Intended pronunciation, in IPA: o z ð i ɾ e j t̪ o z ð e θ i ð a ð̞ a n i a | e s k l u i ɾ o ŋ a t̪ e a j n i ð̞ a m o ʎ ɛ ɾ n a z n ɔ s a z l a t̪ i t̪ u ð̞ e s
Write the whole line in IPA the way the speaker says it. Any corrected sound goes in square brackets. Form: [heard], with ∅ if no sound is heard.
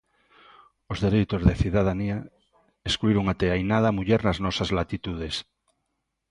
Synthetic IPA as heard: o z ð [e] ɾ e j t̪ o z ð e θ i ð a ð̞ a n i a | e s k l u i ɾ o ŋ a t̪ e a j n [a] ð̞ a m [u] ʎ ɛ ɾ n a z n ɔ s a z l a t̪ i t̪ u ð̞ e s